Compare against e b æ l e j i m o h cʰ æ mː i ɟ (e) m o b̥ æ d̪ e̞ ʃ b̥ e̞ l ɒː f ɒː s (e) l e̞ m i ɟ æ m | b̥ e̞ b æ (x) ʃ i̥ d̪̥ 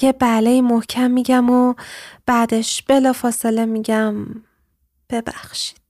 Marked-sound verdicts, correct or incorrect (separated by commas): incorrect, correct, correct